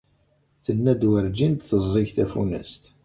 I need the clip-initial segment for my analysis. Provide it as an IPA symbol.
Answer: θ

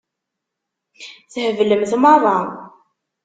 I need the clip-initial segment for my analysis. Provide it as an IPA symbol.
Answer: θ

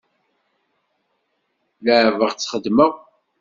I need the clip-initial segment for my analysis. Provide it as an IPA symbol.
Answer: l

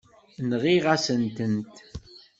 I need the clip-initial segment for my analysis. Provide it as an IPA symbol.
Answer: n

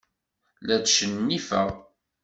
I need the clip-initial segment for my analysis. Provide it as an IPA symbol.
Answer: l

